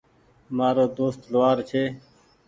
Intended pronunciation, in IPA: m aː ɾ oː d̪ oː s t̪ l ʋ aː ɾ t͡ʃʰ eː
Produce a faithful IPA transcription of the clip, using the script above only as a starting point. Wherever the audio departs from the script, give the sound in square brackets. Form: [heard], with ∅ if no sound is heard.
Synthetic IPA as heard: m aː ɾ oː d̪ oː s t̪ l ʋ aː ɾ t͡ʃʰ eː